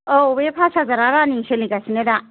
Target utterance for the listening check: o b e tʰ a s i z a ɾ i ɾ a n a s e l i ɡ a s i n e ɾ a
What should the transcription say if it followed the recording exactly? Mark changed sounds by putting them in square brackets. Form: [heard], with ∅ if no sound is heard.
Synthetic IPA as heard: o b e [pʰ] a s [a] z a ɾ [a] ɾ a n [i] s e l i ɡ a s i n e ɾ a